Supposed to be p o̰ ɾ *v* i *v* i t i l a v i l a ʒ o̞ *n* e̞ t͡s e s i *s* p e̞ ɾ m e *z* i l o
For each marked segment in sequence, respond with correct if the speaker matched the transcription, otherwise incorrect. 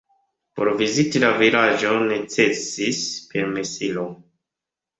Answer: correct, incorrect: z, correct, correct, incorrect: s

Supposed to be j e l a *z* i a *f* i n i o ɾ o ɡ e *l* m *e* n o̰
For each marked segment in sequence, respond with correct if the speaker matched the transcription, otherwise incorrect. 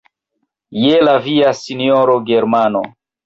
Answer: incorrect: v, incorrect: s, incorrect: ɾ, incorrect: a

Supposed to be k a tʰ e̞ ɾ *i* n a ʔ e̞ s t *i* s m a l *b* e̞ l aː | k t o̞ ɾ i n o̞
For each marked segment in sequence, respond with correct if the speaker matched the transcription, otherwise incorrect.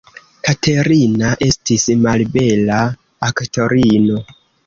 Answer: correct, correct, correct

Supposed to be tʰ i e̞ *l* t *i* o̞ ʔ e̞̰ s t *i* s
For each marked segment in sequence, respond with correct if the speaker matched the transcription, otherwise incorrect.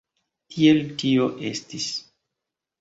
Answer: correct, correct, correct

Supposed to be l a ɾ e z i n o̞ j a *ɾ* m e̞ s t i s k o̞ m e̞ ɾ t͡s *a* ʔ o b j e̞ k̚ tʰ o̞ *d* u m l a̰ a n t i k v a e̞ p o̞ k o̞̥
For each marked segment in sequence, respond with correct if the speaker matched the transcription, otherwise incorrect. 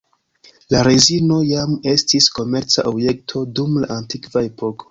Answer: incorrect: none, correct, correct

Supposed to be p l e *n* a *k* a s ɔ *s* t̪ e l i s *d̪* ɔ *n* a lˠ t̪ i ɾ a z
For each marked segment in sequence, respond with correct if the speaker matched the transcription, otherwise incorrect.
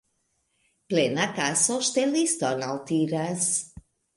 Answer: correct, correct, incorrect: ʃ, incorrect: t̪, correct

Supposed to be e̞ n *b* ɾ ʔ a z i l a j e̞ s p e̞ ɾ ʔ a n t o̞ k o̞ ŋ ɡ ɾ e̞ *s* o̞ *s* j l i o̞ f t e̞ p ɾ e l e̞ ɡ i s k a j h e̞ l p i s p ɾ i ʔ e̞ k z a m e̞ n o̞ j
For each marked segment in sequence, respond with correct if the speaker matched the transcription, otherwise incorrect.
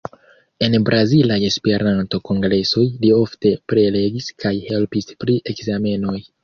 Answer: correct, correct, incorrect: none

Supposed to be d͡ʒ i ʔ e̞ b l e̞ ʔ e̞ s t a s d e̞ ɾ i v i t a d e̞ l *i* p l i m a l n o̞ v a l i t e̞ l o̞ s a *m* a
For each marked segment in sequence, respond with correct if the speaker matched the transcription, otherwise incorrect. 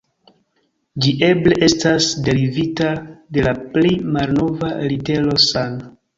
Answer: incorrect: a, incorrect: n

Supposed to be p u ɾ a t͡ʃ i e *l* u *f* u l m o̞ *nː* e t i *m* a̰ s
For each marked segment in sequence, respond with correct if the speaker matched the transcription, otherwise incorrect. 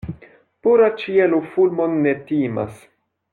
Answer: correct, correct, correct, correct

